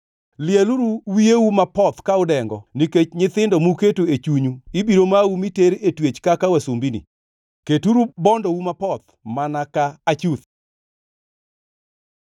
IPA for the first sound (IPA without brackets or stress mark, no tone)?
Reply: l